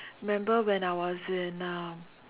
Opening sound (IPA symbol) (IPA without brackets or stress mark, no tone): m